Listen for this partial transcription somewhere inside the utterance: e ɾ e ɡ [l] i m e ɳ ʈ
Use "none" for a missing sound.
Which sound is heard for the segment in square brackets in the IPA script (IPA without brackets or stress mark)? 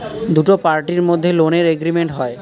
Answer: ɾ